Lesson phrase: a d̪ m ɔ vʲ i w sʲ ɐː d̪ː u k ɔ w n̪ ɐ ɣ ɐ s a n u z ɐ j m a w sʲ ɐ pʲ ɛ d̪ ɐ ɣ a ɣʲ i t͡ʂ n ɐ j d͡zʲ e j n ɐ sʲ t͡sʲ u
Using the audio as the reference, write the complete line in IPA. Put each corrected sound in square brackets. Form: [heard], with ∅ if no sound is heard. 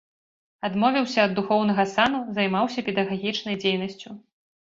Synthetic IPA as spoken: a d̪ m ɔ vʲ i w sʲ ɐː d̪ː u [x] ɔ w n̪ ɐ ɣ ɐ s a n u z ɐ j m a w sʲ ɐ pʲ ɛ d̪ ɐ ɣ a ɣʲ i t͡ʂ n ɐ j d͡zʲ e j n ɐ sʲ t͡sʲ u